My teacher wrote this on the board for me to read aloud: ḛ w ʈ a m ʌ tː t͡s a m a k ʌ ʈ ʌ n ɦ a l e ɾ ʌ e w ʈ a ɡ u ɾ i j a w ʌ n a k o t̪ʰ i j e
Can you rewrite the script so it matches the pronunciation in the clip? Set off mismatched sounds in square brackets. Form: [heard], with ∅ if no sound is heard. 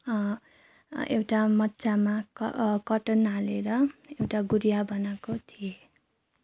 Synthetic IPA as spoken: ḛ w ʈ a m ʌ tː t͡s a m a k ʌ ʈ ʌ n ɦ a l e ɾ ʌ e w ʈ a ɡ u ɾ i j a [b] ʌ n a k o t̪ʰ i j e